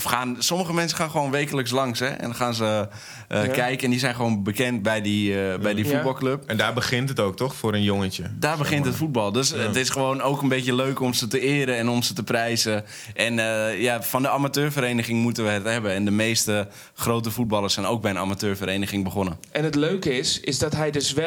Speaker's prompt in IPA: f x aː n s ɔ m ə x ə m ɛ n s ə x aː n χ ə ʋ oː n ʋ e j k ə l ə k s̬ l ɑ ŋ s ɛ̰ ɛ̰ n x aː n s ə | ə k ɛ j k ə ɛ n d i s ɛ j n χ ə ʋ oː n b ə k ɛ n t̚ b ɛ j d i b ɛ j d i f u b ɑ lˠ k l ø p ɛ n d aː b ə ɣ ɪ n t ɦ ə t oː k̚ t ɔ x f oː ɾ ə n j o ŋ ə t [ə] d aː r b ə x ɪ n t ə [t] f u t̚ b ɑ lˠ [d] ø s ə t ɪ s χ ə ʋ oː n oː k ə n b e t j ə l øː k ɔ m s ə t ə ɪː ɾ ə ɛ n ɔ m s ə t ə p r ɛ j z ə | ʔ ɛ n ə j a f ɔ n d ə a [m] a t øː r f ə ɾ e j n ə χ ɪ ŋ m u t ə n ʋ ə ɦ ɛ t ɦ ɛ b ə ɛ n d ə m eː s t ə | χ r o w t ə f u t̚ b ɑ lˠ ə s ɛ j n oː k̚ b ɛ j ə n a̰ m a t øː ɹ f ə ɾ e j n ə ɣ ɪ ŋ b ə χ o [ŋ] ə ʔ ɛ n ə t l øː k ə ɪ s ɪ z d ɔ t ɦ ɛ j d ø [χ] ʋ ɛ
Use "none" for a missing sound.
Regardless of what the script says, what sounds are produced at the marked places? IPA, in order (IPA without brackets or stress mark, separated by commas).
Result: ə, t, d, m, n, s